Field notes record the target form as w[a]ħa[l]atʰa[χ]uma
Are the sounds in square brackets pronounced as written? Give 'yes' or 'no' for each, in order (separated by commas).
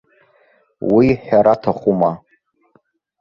no, no, yes